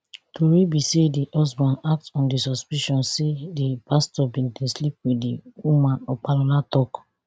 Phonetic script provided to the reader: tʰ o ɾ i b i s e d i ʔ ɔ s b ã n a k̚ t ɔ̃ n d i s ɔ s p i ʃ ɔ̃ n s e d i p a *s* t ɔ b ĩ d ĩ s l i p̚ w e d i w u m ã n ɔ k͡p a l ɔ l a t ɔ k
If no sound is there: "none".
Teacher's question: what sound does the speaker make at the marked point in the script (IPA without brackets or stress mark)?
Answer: s